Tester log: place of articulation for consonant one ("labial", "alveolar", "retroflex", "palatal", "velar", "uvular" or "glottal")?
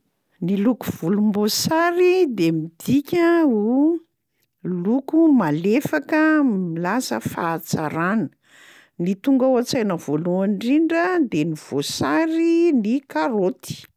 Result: alveolar